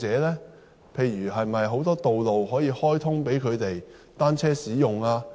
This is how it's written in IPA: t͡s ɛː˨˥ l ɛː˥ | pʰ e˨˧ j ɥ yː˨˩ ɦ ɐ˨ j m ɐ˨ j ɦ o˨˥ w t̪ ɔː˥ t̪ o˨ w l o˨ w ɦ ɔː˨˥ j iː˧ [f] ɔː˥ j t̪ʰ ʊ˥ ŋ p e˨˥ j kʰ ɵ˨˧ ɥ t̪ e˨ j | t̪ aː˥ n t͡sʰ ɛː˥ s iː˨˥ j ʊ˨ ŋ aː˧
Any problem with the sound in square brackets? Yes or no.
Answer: yes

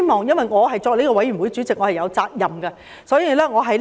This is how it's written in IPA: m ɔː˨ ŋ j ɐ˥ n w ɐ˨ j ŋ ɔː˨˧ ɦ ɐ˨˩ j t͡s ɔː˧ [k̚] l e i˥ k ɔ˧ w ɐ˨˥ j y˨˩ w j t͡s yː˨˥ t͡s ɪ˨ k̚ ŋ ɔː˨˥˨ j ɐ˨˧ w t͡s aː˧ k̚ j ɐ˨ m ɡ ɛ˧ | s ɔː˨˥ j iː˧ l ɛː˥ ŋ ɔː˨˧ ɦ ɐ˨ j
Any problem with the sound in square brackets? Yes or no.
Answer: no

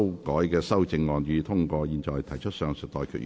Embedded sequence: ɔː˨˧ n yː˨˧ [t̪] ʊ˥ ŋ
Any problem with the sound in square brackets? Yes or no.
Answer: yes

